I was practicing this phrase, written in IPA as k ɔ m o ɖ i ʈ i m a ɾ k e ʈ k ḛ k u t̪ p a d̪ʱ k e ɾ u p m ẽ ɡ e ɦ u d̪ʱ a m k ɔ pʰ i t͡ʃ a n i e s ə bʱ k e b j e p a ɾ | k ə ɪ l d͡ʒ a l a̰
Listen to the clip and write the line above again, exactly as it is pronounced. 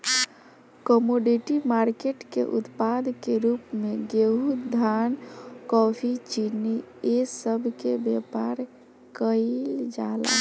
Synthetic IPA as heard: k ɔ m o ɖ i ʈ i m a ɾ k e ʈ k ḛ ʔ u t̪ p a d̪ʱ k e ɾ u p m e ɡ e ɦ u d̪ʱ a n k ɔ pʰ i t͡ʃ i n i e s ə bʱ k e b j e p a ɾ | k ə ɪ l d͡ʒ a l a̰